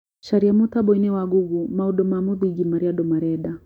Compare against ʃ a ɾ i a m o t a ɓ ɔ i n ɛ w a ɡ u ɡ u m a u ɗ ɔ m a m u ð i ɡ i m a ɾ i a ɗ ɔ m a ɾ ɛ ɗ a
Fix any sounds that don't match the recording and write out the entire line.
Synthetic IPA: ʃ a ɾ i a m u t a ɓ ɔ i n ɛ w a ɡ u ɡ u m a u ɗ ɔ m a m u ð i ɡ i m a ɾ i a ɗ ɔ m a ɾ ɛ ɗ a